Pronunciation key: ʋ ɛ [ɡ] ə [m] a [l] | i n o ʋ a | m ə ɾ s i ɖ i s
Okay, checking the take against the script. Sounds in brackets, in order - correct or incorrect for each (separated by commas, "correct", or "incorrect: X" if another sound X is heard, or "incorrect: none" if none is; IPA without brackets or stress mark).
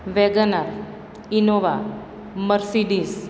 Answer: correct, incorrect: n, incorrect: ɾ